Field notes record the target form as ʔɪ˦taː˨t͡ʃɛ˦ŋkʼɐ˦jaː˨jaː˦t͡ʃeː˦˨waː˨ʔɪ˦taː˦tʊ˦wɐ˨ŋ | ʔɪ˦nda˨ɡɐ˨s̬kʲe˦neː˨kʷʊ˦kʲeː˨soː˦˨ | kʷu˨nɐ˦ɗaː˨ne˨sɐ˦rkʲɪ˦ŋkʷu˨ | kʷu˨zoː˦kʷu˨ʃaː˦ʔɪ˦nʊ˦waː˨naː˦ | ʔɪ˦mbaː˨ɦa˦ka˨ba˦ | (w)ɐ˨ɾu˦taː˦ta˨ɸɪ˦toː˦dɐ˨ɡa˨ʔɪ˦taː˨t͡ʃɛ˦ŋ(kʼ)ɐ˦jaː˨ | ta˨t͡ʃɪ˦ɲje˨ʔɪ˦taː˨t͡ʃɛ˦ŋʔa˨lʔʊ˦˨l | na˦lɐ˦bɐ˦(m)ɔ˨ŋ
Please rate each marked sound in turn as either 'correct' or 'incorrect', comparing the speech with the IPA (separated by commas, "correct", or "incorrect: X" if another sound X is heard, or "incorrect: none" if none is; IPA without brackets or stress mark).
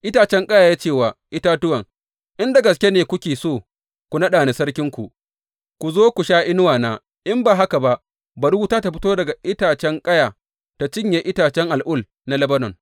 incorrect: b, correct, incorrect: n